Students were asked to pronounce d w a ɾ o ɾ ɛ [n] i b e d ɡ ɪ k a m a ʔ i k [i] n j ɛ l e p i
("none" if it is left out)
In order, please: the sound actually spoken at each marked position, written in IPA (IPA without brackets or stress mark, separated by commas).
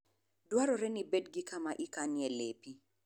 n, a